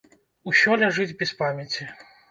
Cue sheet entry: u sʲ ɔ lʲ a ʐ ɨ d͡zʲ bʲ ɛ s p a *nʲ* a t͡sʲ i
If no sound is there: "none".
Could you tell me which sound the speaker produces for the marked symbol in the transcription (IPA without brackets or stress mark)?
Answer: mʲ